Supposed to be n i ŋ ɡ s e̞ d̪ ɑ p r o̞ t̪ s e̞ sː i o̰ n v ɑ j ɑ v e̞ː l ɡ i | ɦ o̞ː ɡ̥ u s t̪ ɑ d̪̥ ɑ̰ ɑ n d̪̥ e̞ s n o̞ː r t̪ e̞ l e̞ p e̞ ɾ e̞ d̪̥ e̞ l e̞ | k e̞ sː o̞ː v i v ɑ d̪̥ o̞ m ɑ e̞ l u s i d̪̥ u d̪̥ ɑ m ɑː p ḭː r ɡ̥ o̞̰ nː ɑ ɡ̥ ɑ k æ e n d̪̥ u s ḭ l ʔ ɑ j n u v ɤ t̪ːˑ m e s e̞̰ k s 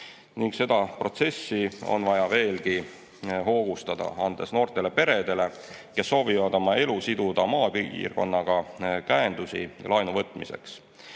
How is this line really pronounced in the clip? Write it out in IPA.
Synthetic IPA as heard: n i ŋ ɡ s e̞ d̪ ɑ p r o̞ t̪ s e̞ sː i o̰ n v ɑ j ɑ v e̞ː l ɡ i | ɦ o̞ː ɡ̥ u s t̪ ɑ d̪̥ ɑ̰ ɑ n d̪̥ e̞ s n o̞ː r t̪ e̞ l e̞ p e̞ ɾ e̞ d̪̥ e̞ l e̞ | k e̞ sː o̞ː v i v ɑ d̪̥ o̞ m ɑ e̞ l u s i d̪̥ u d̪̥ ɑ m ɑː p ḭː r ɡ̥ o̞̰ nː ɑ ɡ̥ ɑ k æ e n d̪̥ u s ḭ l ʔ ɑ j n u v ɤ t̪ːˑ m i s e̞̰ k s